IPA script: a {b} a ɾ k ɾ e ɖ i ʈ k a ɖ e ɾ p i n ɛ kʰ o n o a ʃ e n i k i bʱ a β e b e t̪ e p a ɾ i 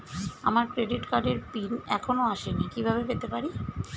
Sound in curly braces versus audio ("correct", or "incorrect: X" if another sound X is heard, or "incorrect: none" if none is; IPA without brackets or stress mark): incorrect: m